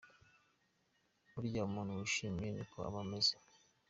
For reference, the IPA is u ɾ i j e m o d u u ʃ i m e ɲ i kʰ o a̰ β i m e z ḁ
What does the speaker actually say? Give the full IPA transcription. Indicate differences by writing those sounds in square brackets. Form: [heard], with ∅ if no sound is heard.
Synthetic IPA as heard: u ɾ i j [a] m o [n] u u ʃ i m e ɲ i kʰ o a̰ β [a] m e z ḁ